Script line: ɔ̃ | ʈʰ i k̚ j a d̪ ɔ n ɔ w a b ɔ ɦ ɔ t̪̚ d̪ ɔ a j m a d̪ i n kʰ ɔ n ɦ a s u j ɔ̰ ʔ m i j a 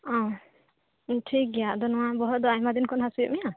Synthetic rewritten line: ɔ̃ | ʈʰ i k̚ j a d̪ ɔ n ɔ w a b ɔ ɦ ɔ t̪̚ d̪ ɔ a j m a d̪ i n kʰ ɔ n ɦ a s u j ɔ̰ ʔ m i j a